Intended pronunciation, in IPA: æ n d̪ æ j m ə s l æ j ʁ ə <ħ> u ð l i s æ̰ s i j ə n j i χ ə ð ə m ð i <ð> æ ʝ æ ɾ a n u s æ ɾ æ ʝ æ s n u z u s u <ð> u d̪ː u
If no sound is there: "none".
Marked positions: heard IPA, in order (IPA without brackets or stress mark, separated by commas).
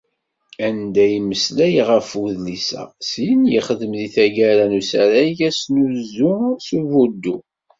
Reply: f, θ, v